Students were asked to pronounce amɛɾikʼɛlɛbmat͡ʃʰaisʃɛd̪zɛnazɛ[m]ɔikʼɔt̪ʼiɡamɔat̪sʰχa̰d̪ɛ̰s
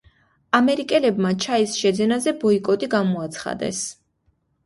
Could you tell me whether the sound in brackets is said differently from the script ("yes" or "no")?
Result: yes